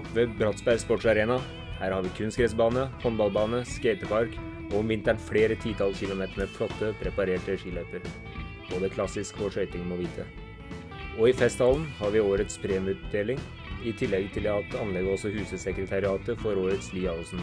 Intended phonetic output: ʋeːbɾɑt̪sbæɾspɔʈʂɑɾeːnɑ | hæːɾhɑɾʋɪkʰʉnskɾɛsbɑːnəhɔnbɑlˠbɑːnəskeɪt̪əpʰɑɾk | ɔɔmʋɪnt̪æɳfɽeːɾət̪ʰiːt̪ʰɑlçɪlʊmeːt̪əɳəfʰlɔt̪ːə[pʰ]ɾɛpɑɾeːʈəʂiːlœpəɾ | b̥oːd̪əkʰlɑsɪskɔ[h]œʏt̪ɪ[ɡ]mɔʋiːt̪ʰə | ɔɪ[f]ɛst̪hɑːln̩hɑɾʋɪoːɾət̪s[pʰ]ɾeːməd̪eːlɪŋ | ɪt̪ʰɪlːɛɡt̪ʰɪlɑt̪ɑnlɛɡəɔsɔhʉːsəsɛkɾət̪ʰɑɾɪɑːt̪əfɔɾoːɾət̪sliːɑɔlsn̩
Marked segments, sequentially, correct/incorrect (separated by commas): correct, incorrect, incorrect, correct, correct